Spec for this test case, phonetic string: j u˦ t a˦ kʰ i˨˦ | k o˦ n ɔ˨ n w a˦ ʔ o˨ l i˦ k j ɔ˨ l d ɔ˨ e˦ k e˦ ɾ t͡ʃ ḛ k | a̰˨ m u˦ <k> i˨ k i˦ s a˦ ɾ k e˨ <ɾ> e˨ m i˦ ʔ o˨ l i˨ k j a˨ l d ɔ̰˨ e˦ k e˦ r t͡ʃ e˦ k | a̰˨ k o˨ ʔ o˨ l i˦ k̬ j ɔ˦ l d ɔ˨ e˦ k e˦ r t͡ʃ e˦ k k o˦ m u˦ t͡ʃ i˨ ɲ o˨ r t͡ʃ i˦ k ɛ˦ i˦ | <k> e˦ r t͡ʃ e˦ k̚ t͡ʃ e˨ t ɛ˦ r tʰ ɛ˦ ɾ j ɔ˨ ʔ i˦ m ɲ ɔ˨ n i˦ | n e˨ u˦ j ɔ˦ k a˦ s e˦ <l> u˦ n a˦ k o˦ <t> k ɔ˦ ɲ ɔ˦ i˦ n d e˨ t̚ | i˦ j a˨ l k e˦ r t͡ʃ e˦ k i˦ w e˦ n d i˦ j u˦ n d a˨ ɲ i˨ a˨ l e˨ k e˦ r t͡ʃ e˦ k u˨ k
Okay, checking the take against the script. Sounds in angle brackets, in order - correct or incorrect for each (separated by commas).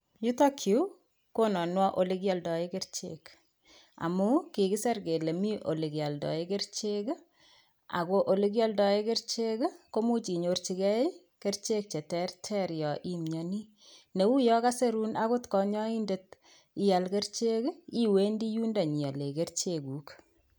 correct, incorrect, correct, incorrect, correct